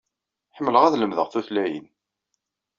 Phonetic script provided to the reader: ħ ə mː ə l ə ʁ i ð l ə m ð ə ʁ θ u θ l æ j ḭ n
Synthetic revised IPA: ħ ə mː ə l ə ʁ æ ð l ə m ð ə ʁ θ u θ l æ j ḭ n